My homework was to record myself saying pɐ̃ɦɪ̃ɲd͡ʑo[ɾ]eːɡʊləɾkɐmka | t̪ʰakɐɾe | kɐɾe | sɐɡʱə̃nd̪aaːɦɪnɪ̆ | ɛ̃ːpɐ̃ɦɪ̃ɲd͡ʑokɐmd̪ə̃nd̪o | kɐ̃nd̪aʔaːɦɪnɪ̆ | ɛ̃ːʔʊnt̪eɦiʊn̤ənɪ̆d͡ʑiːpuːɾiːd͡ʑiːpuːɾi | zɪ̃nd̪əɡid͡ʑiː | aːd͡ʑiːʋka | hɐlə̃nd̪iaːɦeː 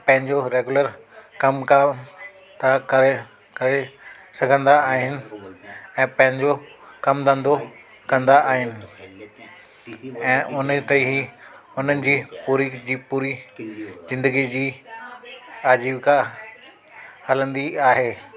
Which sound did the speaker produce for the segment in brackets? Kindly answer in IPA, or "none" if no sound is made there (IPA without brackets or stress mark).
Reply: ɾ